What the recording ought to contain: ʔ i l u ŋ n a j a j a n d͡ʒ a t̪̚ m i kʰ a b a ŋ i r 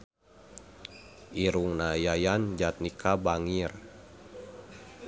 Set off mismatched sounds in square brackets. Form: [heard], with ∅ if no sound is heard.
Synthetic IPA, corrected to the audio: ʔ i [ɾ] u ŋ n a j a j a n d͡ʒ a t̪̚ [n] i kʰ a b a ŋ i r